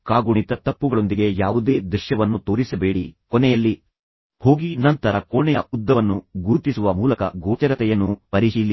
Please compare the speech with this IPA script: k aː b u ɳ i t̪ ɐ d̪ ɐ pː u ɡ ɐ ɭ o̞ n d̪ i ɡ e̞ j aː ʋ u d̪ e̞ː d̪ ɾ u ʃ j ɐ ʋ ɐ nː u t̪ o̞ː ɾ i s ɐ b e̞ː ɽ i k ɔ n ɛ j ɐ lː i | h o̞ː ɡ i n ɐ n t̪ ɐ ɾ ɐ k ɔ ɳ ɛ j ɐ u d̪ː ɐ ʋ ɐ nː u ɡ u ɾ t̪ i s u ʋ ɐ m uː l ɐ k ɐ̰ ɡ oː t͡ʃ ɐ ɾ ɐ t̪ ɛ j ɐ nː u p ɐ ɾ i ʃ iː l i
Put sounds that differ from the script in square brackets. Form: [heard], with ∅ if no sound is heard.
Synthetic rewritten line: k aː [ɡ] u ɳ i t̪ ɐ [t̪] ɐ pː u ɡ ɐ ɭ o̞ n d̪ i ɡ e̞ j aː ʋ u d̪ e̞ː d̪ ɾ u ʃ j ɐ ʋ ɐ nː u t̪ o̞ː ɾ i s ɐ b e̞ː ɽ i k ɔ n ɛ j ɐ lː i | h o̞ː ɡ i n ɐ n t̪ ɐ ɾ ɐ k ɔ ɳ ɛ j ɐ u d̪ː ɐ ʋ ɐ nː u ɡ u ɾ t̪ i s u ʋ ɐ m uː l ɐ k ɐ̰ ɡ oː t͡ʃ ɐ ɾ ɐ t̪ ɛ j ɐ nː u p ɐ ɾ i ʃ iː l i

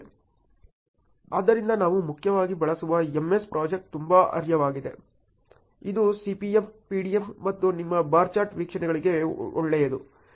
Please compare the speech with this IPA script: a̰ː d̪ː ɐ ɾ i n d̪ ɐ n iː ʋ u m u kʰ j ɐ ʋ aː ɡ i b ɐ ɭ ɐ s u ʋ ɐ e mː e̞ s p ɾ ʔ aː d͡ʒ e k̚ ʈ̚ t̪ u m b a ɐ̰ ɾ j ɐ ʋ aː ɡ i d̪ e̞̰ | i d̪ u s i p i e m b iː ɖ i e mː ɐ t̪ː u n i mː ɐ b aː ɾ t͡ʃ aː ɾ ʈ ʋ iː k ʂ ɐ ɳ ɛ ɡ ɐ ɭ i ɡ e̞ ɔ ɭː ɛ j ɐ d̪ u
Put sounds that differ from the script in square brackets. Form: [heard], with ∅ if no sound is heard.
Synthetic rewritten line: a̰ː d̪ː ɐ ɾ i n d̪ ɐ n [aː] ʋ u m u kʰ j ɐ ʋ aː ɡ i b ɐ ɭ ɐ s u ʋ ɐ e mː e̞ s p ɾ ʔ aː d͡ʒ e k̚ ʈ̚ t̪ u m b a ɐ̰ ɾ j ɐ ʋ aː ɡ i d̪ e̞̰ | i d̪ u s i p i e m [p] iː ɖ i e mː ɐ t̪ː u n i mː ɐ b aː ɾ t͡ʃ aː ɾ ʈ ʋ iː k ʂ ɐ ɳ ɛ ɡ ɐ ɭ i ɡ e̞ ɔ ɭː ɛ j ɐ d̪ u

